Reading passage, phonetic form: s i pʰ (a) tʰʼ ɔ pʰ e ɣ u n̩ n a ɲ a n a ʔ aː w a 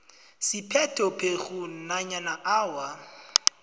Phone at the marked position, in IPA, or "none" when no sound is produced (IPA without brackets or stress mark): ɛ